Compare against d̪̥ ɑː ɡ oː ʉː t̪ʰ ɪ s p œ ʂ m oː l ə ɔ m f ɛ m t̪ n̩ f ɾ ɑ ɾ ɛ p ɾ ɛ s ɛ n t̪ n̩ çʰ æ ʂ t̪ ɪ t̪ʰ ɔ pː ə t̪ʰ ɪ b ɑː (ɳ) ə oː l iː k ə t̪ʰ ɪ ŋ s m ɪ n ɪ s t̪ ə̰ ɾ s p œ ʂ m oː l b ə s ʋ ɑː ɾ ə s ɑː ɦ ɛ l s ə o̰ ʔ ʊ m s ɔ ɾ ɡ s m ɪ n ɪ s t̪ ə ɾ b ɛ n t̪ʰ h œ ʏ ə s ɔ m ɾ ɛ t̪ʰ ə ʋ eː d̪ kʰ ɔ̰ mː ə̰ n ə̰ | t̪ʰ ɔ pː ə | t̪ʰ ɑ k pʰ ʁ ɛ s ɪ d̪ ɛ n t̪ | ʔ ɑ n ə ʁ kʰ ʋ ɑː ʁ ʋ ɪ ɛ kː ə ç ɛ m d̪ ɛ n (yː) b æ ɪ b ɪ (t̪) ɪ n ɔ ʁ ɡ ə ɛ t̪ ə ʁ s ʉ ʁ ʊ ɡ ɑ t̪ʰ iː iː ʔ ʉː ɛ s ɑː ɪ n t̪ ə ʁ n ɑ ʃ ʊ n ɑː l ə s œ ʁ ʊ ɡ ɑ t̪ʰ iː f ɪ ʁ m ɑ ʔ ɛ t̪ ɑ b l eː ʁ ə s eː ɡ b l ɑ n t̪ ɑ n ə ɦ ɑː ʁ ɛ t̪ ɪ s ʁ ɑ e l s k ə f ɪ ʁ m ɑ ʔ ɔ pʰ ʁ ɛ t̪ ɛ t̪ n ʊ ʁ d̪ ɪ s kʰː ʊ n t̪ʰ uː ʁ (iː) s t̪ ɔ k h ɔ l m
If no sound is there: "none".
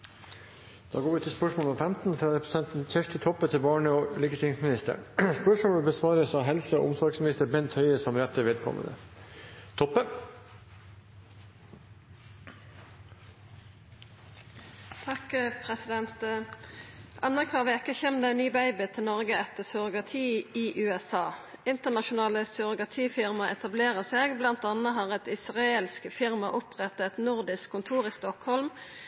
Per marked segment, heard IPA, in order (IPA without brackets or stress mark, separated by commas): ɳ, yː, t̪ʰ, iː